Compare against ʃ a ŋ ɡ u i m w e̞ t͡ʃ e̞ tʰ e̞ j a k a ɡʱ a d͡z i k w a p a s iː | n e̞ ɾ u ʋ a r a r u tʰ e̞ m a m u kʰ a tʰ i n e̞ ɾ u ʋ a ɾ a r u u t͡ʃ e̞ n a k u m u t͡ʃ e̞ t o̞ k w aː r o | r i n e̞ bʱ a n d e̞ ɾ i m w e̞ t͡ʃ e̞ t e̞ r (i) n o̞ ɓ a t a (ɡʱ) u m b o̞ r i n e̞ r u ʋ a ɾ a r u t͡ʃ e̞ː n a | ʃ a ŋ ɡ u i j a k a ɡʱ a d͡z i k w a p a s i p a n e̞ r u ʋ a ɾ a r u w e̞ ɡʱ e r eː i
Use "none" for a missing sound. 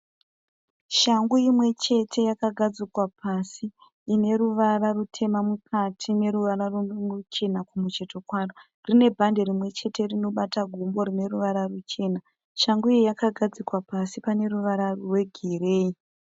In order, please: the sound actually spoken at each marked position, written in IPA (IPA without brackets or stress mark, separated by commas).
i, ɡʱ